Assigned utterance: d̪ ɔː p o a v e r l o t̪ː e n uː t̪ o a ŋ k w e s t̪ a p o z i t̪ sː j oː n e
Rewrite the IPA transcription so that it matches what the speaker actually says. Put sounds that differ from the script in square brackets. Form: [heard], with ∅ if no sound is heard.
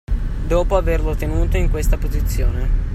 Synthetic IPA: d̪ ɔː p o a v e r l o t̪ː e n uː t̪ o [i] ŋ k w e s t̪ a p o z i t̪ sː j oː n e